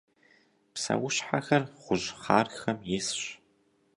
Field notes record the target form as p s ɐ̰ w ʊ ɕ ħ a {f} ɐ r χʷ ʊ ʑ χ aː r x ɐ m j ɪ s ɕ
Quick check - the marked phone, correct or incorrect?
incorrect